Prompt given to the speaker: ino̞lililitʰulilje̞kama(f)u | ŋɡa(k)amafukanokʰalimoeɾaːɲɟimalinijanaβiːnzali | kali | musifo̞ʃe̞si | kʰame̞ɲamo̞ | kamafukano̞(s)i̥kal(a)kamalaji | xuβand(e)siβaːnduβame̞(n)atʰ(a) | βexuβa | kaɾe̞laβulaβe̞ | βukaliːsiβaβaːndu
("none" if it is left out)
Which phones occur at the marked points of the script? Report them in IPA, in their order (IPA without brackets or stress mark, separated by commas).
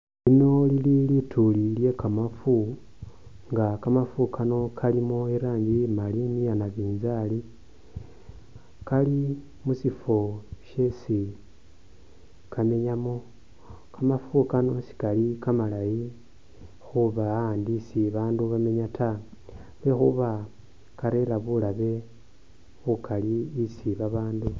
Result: f, k, s, i, i, ɲ, a